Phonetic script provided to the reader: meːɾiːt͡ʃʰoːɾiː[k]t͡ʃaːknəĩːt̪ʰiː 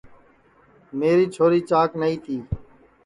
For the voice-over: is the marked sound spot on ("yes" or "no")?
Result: no